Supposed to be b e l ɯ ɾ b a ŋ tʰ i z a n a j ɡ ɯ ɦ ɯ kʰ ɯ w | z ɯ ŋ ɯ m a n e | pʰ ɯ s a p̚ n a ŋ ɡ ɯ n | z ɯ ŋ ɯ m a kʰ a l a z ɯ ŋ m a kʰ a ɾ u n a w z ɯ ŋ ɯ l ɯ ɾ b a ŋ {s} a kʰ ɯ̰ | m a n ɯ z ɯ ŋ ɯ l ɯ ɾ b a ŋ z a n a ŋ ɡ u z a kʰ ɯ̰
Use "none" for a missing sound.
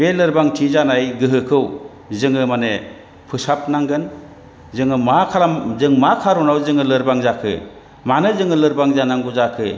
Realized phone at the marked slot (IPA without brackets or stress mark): z